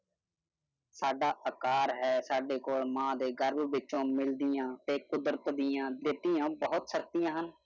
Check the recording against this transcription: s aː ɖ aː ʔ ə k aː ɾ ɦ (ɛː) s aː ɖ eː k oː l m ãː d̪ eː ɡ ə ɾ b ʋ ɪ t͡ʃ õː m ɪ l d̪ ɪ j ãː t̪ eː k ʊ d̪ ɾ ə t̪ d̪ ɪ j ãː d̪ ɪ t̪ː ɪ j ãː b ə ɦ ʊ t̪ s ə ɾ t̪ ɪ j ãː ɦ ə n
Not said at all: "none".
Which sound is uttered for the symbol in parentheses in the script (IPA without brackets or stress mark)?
ɛː